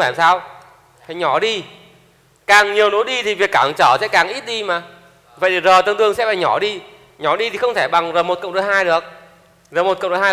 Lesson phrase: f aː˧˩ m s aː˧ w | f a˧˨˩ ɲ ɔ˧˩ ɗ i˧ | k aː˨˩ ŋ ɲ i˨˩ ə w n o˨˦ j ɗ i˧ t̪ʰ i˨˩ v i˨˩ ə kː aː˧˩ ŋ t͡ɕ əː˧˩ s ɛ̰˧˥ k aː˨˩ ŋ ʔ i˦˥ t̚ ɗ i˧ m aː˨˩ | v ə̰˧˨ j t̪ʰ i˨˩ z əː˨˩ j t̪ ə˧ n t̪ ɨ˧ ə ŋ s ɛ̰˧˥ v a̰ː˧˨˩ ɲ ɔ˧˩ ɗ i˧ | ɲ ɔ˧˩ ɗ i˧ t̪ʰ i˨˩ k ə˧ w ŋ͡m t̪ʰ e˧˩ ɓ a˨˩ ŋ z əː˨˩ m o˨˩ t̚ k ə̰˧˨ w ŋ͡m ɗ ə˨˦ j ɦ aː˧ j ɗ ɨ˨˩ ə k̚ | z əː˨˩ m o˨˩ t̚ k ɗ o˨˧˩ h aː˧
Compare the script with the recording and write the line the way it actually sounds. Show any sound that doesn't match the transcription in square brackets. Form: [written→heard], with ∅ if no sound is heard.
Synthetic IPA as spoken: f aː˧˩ m s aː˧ w | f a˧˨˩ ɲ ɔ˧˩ ɗ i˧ | k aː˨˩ ŋ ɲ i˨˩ ə w n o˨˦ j ɗ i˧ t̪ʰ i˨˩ v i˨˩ ə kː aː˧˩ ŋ t͡ɕ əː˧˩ s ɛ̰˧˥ k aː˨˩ ŋ ʔ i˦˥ t̚ ɗ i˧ m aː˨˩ | v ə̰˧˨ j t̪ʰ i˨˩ z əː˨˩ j t̪ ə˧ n t̪ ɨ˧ ə ŋ s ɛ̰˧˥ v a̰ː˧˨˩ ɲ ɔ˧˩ ɗ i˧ | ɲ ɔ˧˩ ɗ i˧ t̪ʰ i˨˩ [k→x] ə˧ w ŋ͡m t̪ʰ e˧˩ ɓ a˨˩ ŋ z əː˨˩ m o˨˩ t̚ k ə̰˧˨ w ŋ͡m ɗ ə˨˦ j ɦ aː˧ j ɗ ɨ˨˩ ə k̚ | z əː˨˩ m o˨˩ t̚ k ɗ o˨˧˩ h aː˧

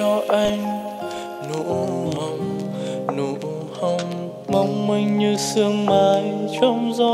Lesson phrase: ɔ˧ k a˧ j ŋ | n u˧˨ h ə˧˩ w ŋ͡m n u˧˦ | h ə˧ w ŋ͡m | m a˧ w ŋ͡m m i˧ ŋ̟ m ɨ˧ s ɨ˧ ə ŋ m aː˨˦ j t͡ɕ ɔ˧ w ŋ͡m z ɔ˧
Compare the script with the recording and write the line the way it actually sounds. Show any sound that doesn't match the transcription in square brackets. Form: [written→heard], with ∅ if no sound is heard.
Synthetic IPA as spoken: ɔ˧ [k→ʔ] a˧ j ŋ | n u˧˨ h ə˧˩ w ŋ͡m n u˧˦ | h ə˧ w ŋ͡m | m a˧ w ŋ͡m m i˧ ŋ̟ [m→ɲ] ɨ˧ s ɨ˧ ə ŋ m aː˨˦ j t͡ɕ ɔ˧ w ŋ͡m z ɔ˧

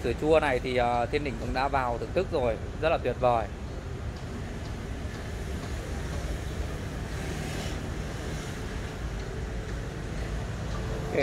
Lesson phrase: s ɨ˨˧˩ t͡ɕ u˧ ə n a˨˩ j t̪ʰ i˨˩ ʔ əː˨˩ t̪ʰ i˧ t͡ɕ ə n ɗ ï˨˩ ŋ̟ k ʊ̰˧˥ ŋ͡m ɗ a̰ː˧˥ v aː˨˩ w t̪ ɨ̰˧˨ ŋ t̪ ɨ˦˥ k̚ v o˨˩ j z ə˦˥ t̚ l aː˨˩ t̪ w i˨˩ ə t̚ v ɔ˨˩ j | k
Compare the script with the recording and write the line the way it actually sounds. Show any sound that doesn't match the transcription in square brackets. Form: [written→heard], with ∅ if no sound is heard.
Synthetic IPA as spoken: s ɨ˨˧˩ t͡ɕ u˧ ə n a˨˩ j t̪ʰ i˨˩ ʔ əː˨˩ t̪ʰ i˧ [t͡ɕ→∅] ə n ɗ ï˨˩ ŋ̟ k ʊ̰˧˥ ŋ͡m ɗ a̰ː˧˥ v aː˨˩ w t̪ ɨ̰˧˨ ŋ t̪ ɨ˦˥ k̚ [v→z] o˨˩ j z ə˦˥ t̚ l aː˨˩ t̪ w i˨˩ ə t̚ v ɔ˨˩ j | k

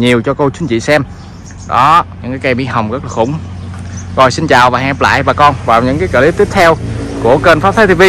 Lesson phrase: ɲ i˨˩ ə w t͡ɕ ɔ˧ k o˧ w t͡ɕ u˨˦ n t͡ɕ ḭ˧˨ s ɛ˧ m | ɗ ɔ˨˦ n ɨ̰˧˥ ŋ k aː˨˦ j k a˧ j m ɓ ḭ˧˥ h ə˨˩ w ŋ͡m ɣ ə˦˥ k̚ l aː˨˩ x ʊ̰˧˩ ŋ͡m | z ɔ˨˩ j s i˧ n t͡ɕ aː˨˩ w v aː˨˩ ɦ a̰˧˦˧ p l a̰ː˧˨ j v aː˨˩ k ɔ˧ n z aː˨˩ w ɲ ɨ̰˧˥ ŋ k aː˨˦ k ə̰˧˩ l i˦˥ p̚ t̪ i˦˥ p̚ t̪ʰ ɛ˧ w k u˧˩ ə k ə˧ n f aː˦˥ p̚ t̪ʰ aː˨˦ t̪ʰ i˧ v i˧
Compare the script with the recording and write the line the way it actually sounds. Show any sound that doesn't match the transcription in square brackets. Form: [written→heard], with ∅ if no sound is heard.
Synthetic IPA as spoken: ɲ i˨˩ ə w t͡ɕ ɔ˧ k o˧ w t͡ɕ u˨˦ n t͡ɕ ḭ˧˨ s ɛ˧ m | ɗ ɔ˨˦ [n→ɲ] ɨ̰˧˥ ŋ k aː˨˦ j k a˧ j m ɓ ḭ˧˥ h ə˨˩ w ŋ͡m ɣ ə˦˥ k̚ l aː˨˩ x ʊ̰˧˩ ŋ͡m | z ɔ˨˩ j s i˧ n t͡ɕ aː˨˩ w v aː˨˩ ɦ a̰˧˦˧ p l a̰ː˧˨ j v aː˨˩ k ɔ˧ n [z→v] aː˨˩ w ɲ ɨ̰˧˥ ŋ k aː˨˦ k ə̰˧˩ l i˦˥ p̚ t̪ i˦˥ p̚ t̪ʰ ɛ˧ w k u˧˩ ə k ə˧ n f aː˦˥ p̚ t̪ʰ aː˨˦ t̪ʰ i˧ v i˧

